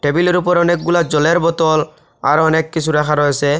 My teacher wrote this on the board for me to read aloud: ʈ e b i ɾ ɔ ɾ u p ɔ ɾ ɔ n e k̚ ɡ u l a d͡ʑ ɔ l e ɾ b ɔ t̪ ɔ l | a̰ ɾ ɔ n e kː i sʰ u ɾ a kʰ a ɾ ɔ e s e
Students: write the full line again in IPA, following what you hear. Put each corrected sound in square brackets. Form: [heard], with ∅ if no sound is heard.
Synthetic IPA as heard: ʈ e b i [l] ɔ ɾ u p ɔ ɾ ɔ n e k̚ ɡ u l a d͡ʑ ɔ l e ɾ b ɔ t̪ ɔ l | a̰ ɾ ɔ n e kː i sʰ u ɾ a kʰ a ɾ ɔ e s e